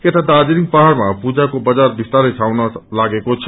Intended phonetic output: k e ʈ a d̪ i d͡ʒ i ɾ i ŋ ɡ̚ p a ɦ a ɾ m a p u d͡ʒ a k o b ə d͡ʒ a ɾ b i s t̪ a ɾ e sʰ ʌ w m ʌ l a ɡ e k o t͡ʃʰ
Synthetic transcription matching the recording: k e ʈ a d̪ a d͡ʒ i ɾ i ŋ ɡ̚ p a ɦ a ɾ m a p u d͡ʒ a k o b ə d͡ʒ a ɾ b i s t̪ a ɾ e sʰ a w n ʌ l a ɡ e k o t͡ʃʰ